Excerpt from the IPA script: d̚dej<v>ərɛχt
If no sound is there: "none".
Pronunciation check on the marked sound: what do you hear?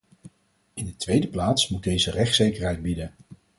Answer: z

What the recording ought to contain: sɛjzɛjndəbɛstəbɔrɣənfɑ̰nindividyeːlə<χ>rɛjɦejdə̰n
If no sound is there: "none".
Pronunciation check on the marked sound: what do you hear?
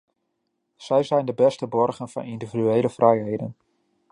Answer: f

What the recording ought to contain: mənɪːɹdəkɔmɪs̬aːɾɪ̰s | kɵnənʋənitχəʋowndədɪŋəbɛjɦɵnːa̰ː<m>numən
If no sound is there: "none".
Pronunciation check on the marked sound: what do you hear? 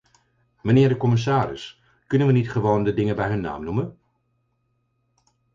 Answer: m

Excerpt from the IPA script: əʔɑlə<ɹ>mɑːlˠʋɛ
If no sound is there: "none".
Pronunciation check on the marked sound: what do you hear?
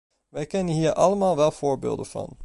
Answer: none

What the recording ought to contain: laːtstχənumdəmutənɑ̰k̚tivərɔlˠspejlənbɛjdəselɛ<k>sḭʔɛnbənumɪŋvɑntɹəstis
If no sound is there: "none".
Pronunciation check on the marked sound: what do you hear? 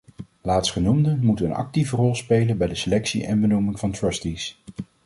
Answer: k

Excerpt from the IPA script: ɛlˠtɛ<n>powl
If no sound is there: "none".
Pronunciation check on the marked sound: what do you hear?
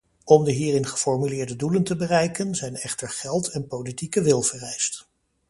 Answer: n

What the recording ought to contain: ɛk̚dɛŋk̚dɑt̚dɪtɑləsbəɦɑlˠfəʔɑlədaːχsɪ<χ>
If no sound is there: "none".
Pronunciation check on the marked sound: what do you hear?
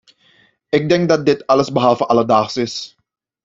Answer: s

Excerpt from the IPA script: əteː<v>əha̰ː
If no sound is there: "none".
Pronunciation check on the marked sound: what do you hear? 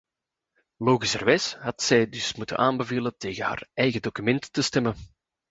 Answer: ɣ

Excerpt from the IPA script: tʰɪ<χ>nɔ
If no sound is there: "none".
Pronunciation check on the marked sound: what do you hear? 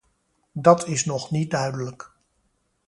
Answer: s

